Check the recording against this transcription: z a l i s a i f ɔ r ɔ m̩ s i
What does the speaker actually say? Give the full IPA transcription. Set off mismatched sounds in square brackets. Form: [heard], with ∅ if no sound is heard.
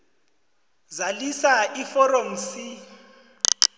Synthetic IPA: z a l i s a i f ɔ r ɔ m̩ s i